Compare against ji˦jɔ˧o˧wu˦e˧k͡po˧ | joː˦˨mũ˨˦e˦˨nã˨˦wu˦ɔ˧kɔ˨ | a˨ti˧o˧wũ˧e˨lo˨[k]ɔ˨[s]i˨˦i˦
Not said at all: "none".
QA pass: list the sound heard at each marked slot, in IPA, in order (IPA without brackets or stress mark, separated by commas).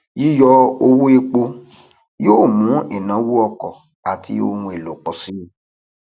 k͡p, s